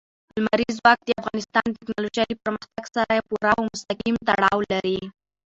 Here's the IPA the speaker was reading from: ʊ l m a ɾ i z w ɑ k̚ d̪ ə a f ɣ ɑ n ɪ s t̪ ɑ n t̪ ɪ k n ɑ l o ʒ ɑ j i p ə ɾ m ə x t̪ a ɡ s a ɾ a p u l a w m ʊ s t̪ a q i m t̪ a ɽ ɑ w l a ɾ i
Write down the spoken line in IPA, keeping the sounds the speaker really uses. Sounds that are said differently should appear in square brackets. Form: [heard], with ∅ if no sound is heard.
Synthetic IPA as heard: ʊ l m a ɾ i z w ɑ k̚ d̪ ə a f ɣ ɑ n ɪ s t̪ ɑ n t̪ ɪ k n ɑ l o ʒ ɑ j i p ə ɾ m ə x t̪ a ɡ s a ɾ a p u [ɾ] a w m ʊ s t̪ a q i m t̪ a ɽ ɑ w l a ɾ i